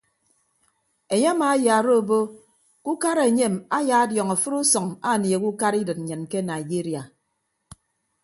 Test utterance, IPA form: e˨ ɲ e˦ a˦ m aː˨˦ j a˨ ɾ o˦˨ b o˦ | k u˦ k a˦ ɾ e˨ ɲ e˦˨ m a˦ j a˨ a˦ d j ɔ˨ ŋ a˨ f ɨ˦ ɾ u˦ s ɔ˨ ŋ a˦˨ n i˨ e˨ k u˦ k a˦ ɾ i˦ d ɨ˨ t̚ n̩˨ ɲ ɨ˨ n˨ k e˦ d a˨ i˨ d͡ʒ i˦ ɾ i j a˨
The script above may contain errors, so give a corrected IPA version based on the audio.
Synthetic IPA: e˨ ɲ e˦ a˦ m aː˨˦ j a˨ ɾ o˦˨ b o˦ | k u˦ k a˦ ɾ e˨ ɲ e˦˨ m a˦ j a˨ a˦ d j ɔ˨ ŋ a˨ f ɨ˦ ɾ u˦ s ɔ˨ ŋ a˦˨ n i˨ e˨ k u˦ k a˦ ɾ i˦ d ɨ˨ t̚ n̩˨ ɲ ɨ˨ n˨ k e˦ n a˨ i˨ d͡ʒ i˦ ɾ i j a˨